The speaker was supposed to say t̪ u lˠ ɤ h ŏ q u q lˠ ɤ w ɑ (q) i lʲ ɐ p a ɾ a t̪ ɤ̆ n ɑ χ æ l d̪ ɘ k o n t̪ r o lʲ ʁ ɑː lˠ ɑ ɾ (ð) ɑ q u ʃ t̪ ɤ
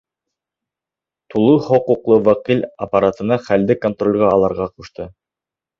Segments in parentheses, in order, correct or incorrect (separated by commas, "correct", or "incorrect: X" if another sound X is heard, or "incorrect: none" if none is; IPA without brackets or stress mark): correct, incorrect: ʁ